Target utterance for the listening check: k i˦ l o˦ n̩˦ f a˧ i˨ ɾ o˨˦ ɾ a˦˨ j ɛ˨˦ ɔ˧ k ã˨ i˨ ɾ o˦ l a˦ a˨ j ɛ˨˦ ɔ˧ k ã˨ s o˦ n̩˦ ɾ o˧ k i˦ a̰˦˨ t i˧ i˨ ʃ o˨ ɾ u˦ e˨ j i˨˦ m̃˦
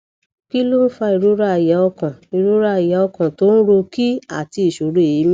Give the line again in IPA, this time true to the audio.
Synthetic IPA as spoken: k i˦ l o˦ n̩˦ f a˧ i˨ ɾ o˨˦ ɾ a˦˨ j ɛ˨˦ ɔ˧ k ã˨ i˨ ɾ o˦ ɾ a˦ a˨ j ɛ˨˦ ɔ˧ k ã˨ t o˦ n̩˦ ɾ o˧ k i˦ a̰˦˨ t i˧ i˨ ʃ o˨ ɾ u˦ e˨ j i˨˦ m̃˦

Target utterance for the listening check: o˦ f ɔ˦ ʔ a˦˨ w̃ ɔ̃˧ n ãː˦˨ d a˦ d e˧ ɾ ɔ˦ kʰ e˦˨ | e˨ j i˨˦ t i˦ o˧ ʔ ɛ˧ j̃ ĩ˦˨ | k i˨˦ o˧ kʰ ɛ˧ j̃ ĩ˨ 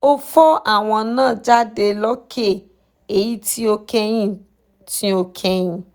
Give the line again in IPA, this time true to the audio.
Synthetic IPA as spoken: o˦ f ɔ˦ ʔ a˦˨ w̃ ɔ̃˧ n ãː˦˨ d͡ʒ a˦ d e˧ l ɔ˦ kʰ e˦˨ | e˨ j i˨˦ t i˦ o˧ k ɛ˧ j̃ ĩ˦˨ | t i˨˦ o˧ kʰ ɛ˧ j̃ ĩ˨

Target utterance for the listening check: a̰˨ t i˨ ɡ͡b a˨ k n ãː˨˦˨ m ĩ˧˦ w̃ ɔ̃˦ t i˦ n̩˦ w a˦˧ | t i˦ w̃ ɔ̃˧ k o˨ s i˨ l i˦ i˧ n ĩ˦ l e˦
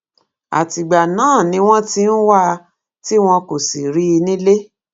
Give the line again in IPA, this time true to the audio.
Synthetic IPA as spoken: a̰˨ t i˨ ɡ͡b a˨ n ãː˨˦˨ n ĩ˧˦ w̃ ɔ̃˦ t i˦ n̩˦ w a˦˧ | t i˦ w̃ ɔ̃˧ k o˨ s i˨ ɾ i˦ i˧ n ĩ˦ l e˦

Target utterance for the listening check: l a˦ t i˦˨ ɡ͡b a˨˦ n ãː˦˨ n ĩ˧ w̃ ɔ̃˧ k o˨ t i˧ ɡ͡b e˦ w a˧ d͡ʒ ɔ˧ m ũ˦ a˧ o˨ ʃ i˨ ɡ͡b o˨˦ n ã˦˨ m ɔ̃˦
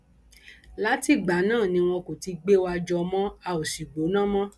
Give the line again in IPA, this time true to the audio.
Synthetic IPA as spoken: l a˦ t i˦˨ ɡ͡b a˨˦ n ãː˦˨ n ĩ˧ w̃ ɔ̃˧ k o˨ t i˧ ɡ͡b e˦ w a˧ d͡ʒ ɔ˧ m ɔ̃˦ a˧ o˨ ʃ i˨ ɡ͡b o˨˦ n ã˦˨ m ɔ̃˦

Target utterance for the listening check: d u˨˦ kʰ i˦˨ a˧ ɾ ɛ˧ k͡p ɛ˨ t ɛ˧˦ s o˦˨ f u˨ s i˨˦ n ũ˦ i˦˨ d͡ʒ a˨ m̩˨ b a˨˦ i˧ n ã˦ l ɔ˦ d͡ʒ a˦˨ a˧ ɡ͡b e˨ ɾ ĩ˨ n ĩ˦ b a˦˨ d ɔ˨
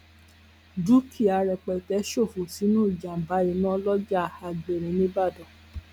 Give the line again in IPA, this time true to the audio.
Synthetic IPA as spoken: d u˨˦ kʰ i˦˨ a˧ ɾ ɛ˧ k͡p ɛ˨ t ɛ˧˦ ʃ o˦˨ f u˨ s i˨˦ n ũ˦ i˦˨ d͡ʒ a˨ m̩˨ b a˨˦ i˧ n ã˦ l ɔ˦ d͡ʒ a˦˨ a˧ ɡ͡b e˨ ɾ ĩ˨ n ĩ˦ b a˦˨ d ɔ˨

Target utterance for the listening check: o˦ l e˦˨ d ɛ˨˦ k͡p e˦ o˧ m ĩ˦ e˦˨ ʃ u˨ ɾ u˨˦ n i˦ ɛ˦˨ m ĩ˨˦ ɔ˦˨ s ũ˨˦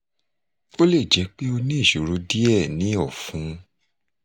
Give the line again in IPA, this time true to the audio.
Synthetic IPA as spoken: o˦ l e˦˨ d͡ʒ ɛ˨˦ k͡p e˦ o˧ n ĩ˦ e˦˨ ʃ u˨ ɾ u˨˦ d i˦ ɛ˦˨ n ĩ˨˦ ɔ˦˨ f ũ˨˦

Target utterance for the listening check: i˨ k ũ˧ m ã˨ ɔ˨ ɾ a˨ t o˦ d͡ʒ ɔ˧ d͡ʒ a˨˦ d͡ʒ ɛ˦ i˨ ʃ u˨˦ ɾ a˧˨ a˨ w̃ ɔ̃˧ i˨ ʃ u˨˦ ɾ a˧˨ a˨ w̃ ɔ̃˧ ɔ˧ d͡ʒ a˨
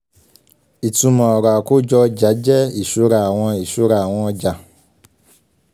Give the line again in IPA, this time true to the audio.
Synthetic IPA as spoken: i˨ t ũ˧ m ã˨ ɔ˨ ɾ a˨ k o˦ d͡ʒ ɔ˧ d͡ʒ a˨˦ d͡ʒ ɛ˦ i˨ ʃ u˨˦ ɾ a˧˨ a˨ w̃ ɔ̃˧ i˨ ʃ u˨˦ ɾ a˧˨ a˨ w̃ ɔ̃˧ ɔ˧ d͡ʒ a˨

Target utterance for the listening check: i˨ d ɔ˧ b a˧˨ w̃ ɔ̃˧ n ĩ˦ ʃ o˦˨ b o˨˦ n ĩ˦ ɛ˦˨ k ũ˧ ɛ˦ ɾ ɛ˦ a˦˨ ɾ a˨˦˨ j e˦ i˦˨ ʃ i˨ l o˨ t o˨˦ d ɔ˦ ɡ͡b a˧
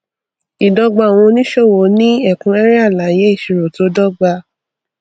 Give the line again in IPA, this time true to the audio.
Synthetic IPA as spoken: i˨ d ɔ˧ ɡ͡b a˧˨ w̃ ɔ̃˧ n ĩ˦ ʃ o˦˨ w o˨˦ n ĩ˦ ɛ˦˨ k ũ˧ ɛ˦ ɾ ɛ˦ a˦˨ l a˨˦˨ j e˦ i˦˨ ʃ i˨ ɾ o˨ t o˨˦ d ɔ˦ ɡ͡b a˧

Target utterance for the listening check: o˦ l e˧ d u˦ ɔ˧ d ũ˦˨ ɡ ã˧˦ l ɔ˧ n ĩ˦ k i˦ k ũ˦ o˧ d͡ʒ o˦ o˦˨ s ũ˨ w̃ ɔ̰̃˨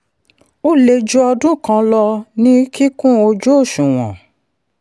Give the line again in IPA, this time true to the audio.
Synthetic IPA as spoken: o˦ l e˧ d͡ʒ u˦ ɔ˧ d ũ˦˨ k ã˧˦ l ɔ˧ n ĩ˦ k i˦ k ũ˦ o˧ d͡ʒ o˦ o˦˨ ʃ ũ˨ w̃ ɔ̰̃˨

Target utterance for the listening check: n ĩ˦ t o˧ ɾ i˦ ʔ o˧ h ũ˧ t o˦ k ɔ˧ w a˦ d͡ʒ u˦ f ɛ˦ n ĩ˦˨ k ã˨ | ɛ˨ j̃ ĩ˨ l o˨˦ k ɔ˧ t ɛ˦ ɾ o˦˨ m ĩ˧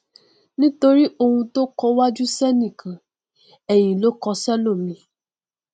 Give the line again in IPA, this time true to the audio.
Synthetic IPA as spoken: n ĩ˦ t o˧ ɾ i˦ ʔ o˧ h ũ˧ t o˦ k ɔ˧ w a˦ d͡ʒ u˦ s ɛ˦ n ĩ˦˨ k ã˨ | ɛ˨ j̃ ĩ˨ l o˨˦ k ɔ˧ s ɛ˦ l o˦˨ m ĩ˧

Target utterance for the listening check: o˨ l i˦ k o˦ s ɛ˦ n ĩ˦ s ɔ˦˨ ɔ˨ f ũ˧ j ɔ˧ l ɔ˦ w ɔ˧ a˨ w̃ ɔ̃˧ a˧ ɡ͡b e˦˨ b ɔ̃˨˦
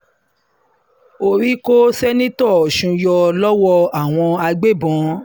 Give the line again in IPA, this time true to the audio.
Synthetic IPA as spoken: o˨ ɾ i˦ k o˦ s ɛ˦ n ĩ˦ t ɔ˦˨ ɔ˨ ʃ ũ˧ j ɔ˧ l ɔ˦ w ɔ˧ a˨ w̃ ɔ̃˧ a˧ ɡ͡b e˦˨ b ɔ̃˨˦

